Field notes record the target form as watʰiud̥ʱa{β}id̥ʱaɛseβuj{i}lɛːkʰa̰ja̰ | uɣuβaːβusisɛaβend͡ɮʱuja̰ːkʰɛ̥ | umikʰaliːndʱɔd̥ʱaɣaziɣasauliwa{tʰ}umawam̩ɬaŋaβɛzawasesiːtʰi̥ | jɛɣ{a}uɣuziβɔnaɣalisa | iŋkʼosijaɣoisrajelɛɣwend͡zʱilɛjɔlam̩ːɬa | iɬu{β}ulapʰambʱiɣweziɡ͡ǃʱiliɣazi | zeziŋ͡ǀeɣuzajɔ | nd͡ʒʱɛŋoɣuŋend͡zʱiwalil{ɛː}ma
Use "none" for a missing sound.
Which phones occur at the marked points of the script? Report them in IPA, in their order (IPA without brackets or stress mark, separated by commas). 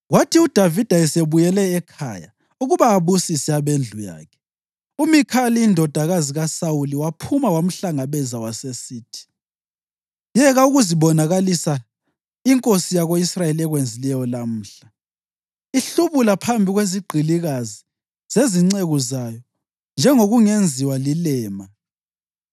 v, ɛ, pʰ, a, β, ɛː